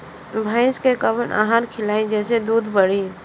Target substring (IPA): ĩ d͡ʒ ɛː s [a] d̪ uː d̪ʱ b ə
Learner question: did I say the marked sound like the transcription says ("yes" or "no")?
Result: no